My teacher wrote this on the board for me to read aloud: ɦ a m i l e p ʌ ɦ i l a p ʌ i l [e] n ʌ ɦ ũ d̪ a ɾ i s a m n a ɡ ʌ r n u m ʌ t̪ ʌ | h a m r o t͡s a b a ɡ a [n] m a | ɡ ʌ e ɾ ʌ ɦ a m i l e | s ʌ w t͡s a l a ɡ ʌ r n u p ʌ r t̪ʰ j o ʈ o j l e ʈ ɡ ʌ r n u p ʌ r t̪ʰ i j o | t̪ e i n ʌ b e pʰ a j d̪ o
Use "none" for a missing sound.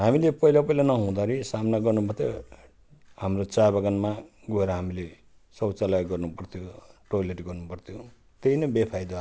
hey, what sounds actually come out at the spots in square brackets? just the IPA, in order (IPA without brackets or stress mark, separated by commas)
a, n